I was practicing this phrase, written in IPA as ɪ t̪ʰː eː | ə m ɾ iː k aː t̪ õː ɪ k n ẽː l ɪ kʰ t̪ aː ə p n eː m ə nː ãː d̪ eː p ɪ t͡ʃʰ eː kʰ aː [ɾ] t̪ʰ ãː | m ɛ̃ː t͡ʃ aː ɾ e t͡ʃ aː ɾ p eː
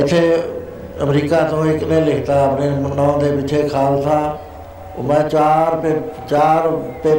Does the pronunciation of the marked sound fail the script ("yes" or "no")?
yes